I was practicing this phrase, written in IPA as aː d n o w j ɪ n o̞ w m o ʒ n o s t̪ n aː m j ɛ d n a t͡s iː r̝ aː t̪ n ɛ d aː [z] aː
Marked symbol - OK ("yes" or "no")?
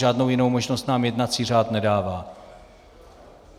no